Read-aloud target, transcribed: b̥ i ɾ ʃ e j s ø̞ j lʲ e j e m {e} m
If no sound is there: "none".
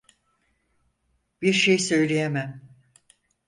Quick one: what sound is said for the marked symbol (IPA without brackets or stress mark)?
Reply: æ